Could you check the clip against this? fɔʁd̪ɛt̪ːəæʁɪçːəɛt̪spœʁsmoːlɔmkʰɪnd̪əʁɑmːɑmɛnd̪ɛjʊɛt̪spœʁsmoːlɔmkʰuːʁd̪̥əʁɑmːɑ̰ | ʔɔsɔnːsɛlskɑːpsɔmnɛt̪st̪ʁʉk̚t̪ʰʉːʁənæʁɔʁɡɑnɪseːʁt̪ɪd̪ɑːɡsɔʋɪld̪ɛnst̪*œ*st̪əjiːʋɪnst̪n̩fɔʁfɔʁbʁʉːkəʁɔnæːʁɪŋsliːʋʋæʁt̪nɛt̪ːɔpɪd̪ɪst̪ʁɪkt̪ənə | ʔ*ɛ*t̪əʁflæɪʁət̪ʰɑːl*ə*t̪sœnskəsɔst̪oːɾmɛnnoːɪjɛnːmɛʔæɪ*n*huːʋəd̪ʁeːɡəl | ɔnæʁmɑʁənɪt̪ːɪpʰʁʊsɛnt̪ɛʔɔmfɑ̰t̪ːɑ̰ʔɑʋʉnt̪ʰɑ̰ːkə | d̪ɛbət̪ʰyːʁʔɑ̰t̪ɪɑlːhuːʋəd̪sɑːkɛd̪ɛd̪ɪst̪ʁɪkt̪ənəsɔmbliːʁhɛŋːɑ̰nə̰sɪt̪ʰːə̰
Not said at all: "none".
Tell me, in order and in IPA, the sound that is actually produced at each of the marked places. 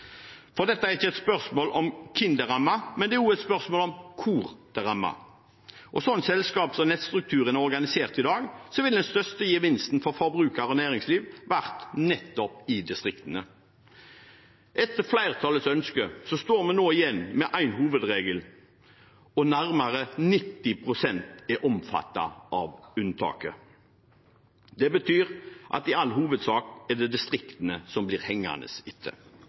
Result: œ, ɛ, ə, n

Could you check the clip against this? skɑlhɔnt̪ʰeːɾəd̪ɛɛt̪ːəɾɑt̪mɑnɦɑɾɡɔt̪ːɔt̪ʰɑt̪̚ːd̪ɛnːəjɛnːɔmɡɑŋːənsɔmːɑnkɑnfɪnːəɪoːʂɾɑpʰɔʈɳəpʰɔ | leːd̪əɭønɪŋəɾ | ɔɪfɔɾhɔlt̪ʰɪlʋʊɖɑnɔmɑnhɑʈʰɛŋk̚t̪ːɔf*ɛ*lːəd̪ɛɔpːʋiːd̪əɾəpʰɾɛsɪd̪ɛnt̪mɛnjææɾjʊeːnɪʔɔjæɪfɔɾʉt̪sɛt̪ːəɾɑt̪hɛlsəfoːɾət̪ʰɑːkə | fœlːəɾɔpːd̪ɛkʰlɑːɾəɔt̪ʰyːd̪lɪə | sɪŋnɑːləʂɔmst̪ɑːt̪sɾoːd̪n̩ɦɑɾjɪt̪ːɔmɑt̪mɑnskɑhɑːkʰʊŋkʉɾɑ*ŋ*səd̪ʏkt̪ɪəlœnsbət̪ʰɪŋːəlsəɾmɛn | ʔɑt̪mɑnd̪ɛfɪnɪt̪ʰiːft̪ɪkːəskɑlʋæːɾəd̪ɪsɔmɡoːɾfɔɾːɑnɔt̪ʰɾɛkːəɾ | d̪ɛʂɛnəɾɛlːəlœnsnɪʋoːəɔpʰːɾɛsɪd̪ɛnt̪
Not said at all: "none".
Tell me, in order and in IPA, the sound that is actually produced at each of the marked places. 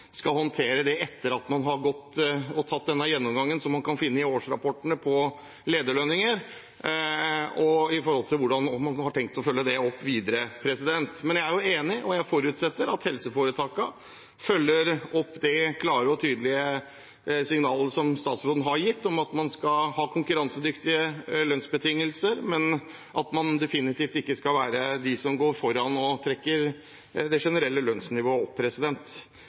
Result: œ, n

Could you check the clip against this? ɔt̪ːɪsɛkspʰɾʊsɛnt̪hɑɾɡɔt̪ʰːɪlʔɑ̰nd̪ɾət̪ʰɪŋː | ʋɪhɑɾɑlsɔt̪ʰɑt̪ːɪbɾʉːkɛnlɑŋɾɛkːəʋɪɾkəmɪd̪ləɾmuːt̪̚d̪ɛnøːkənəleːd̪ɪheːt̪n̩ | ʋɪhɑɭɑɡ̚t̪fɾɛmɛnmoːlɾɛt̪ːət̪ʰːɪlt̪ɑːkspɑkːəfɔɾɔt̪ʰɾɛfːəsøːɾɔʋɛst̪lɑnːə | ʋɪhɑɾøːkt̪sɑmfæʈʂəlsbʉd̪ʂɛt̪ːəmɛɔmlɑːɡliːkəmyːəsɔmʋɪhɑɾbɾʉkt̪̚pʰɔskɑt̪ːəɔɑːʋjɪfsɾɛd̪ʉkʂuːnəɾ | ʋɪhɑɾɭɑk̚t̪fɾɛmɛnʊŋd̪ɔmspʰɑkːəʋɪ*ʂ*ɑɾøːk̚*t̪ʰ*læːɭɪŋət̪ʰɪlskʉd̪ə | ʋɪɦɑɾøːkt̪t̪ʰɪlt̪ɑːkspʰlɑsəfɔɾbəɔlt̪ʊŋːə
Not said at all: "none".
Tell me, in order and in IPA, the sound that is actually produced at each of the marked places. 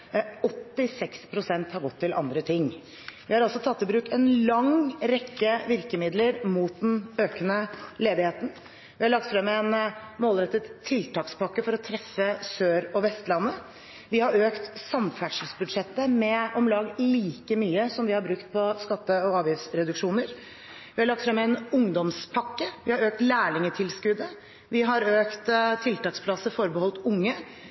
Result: h, t̪

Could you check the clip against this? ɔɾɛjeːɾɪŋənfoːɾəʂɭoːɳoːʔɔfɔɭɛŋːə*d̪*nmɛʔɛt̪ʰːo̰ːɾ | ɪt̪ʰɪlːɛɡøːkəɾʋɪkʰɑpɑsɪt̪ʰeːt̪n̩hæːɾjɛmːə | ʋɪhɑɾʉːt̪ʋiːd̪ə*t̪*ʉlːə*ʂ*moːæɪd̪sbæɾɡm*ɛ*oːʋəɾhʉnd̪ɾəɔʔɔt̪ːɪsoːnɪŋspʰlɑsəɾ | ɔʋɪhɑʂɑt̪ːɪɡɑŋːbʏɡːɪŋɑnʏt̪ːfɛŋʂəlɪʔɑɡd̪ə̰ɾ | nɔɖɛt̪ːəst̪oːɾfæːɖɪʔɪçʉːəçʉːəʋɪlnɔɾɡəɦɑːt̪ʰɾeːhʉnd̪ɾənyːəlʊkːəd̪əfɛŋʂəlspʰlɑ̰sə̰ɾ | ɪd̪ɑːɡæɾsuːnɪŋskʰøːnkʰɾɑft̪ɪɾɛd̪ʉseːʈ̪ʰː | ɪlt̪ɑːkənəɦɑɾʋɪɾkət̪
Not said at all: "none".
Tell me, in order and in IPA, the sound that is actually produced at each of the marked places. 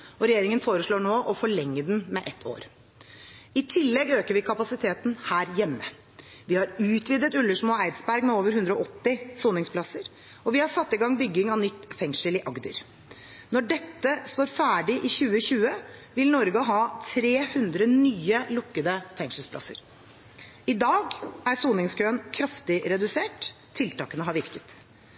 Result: d̪, t̪, ʂ, ɛ

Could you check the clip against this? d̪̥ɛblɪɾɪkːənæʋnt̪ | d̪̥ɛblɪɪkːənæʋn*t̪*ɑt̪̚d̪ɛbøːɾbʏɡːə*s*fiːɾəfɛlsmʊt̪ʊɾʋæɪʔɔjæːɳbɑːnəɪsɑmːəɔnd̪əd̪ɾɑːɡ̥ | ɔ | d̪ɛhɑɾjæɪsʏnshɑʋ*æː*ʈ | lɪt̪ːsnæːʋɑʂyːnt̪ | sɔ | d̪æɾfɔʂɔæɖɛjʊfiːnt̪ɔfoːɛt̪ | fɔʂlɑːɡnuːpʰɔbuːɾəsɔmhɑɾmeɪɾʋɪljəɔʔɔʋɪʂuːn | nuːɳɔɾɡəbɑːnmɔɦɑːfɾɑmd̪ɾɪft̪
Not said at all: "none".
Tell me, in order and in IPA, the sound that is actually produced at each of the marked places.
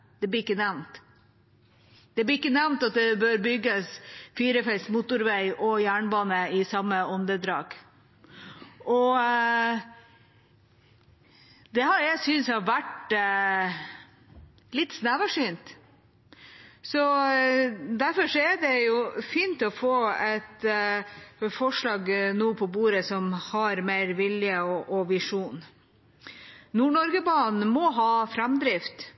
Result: t̪, s, æ

